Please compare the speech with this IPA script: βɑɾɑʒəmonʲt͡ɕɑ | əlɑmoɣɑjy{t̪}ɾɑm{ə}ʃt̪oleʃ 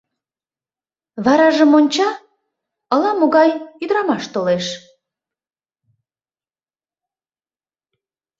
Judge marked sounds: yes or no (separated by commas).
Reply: no, no